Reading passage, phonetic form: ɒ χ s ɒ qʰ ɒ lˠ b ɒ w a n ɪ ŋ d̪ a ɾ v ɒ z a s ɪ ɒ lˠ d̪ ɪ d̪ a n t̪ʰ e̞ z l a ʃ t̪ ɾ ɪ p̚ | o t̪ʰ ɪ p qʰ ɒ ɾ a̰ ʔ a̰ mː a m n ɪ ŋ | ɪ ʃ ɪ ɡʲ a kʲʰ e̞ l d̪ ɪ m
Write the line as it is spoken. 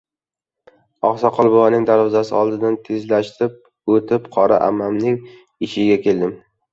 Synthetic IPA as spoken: ɒ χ s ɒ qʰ ɒ lˠ b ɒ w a n ɪ ŋ d̪ a ɾ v ɒ z a s ɪ ɒ lˠ d̪ ɪ d̪ a n t̪ʰ e̞ z l a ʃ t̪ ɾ ɪ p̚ | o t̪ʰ ɪ p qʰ ɒ ɾ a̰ ʔ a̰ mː a m n ɪ ŋ | ɪ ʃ ɪ ɡʲ a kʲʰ e̞ l d̪ ɪ m